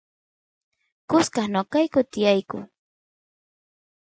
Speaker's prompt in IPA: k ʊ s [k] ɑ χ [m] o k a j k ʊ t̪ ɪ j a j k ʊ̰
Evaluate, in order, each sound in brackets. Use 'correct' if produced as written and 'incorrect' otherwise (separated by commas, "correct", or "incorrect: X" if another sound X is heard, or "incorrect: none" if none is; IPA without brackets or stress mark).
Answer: correct, incorrect: n